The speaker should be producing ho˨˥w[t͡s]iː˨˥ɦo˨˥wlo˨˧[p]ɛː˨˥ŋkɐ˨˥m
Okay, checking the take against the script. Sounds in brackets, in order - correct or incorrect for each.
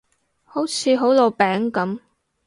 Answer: incorrect: t͡sʰ, correct

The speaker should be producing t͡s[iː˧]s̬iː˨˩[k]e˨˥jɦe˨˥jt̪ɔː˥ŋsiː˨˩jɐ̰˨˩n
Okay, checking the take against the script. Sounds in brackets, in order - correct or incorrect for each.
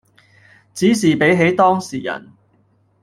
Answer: incorrect: iː˨˥, incorrect: p

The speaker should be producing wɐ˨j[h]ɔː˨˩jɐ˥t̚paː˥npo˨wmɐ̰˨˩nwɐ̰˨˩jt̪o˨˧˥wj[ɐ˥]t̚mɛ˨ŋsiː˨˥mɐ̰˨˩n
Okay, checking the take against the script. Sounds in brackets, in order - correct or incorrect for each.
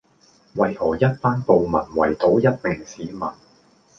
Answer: correct, correct

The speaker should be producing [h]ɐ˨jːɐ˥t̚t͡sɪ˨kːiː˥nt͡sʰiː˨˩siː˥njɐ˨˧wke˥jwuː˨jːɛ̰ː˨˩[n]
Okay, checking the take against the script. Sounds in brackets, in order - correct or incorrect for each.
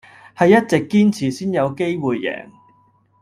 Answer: correct, incorrect: ŋ

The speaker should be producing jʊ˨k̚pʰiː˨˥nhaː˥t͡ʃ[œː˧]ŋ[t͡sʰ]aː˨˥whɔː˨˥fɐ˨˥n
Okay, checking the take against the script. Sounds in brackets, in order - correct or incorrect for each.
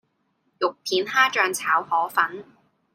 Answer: correct, correct

